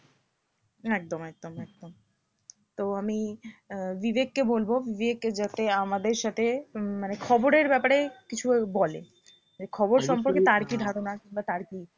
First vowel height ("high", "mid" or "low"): mid